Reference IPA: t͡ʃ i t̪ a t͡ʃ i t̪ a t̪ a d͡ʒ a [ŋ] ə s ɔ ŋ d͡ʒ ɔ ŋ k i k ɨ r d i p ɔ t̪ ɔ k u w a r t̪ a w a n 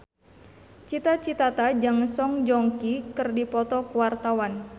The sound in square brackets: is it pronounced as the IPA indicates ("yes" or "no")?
yes